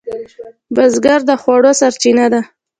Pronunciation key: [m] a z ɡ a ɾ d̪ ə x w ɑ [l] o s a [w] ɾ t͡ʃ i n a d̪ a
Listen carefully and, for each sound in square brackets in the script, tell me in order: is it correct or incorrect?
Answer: incorrect: b, incorrect: ɽ, incorrect: none

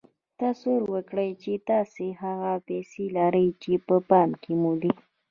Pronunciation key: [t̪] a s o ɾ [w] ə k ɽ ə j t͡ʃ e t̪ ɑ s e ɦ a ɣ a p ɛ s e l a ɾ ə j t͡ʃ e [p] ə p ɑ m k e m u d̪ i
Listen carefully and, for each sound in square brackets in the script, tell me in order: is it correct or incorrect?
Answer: correct, correct, correct

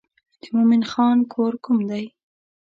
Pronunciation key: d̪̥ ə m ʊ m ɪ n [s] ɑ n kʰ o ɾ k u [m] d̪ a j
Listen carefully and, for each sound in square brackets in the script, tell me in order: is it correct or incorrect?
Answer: incorrect: x, correct

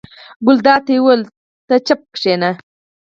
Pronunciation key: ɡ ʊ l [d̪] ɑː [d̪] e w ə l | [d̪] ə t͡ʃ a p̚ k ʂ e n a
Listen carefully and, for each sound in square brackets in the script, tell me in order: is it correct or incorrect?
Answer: correct, incorrect: t̪, incorrect: t̪

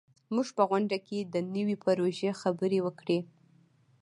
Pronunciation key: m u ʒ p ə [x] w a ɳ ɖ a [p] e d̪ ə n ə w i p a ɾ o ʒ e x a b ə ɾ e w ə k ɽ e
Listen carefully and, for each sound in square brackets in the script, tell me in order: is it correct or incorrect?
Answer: incorrect: ɣ, incorrect: k

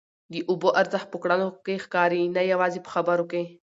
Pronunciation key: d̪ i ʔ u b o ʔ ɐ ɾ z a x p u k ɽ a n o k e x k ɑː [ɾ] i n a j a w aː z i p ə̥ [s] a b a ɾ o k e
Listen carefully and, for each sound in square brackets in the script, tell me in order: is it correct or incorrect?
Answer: correct, incorrect: x

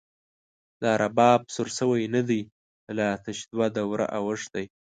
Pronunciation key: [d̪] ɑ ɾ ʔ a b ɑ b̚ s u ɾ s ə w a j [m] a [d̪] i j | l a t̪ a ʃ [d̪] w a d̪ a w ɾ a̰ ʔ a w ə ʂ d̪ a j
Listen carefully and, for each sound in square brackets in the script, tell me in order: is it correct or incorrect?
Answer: correct, incorrect: n, correct, correct

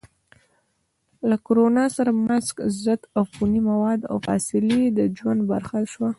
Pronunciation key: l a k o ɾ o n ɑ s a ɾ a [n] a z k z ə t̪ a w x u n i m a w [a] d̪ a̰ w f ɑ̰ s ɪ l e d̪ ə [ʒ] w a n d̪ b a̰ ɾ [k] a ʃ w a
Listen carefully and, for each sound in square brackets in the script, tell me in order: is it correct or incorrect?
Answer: incorrect: m, incorrect: ɑ, incorrect: d͡ʒ, incorrect: x

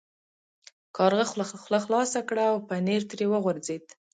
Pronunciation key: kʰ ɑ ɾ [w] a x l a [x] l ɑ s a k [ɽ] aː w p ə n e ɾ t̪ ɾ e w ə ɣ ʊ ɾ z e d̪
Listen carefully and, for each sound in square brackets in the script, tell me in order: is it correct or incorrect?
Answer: incorrect: ɣ, correct, correct

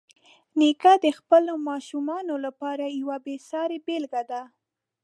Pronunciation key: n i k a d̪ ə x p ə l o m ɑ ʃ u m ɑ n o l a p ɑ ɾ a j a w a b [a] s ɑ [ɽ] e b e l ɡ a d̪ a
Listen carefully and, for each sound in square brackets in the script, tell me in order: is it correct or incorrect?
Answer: incorrect: e, incorrect: ɾ

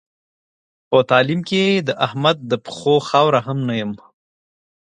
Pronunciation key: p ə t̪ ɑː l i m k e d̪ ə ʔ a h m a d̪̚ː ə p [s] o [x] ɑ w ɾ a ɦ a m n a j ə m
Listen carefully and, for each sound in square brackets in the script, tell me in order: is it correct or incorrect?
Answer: incorrect: x, correct

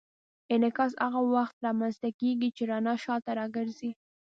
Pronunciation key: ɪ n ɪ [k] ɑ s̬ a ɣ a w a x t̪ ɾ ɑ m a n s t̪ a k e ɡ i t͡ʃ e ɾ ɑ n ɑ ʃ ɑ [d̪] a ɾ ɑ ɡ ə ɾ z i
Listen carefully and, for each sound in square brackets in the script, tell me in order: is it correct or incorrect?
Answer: correct, incorrect: t̪

